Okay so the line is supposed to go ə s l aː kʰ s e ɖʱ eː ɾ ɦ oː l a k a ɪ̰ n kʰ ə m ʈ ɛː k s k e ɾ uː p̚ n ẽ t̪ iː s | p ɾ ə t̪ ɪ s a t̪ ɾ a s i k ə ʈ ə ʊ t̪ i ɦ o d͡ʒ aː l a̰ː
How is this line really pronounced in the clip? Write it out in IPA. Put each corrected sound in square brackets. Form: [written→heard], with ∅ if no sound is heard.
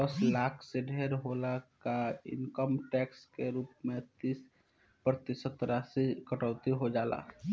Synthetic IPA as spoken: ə s l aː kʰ s e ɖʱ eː ɾ ɦ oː l a k a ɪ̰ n [kʰ→k] ə m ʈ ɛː k s k e ɾ uː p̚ [n→m] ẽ t̪ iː s | p ɾ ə t̪ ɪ s [a→ə] t̪ ɾ a s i k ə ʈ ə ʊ t̪ i ɦ o d͡ʒ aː l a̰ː